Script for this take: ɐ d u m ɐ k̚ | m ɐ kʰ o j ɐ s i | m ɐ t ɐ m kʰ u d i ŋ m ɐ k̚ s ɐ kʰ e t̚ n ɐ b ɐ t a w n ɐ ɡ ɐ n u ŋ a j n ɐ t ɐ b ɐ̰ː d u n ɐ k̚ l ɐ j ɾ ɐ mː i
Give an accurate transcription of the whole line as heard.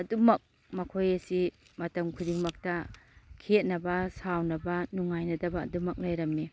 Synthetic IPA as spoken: ɐ d u m ɐ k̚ | m ɐ kʰ o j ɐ s i | m ɐ t ɐ m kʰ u d i ŋ m ɐ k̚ t ɐ kʰ e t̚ n ɐ b ɐ s a w n ɐ b ɐ n u ŋ a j n ɐ d ɐ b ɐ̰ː d u m ɐ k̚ l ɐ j ɾ ɐ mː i